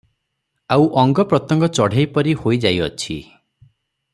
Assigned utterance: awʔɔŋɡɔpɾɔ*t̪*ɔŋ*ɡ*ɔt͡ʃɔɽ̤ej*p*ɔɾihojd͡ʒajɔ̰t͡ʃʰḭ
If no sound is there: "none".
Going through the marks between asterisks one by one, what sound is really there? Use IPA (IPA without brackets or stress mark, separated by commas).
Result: t̪, ɡ, p